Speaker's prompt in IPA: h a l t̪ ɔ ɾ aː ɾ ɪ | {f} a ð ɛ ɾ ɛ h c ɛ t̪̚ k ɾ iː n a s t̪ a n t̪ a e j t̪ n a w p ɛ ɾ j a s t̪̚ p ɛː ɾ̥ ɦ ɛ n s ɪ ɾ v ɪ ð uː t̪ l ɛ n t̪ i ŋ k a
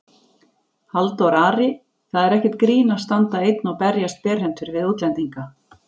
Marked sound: incorrect: θ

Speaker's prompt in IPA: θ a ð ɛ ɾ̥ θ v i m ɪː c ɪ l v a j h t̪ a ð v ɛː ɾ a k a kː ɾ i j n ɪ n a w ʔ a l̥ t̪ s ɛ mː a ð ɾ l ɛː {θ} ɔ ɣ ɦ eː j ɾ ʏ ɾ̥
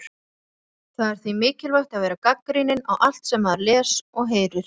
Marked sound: incorrect: s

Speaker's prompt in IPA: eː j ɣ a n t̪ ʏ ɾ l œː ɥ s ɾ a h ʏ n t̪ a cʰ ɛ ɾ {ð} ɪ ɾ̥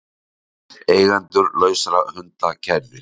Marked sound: incorrect: v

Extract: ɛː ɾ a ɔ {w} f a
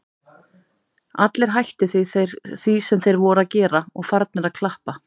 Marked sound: incorrect: ɣ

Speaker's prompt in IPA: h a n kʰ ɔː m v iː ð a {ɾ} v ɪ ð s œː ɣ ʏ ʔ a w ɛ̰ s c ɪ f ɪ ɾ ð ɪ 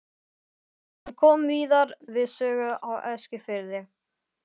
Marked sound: correct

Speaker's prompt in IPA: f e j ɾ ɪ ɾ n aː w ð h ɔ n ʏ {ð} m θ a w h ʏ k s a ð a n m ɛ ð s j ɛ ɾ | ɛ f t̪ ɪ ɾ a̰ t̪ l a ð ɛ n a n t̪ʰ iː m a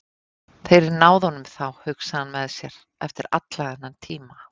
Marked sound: incorrect: none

